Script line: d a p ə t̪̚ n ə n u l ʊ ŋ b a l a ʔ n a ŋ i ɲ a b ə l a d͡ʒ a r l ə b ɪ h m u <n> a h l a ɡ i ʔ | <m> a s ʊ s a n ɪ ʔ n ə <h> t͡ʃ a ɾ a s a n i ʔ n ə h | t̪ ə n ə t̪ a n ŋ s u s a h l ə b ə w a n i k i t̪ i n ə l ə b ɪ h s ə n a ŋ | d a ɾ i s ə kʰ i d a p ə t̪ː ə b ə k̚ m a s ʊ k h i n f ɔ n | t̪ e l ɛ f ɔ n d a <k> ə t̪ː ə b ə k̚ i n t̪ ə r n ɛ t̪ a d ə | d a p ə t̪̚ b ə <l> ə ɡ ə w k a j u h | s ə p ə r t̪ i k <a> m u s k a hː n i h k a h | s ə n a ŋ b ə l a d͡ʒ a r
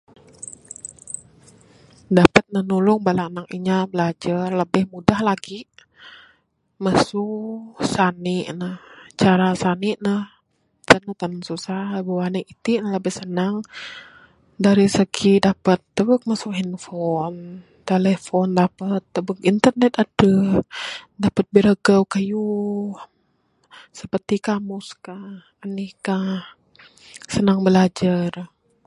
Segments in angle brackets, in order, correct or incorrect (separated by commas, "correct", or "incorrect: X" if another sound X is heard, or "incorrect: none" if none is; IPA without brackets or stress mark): incorrect: d, correct, correct, incorrect: p, incorrect: ɾ, correct